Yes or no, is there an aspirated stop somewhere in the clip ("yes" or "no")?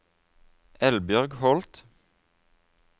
no